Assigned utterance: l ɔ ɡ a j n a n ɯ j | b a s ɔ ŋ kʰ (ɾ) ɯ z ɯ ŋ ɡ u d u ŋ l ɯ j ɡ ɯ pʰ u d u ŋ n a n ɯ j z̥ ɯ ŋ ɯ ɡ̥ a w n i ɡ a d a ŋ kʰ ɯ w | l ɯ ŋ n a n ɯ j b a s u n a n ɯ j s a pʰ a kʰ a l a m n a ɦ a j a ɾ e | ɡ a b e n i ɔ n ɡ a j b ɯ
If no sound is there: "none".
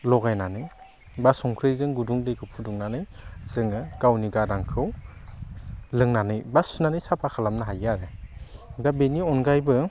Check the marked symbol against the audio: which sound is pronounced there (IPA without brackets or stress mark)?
ɾ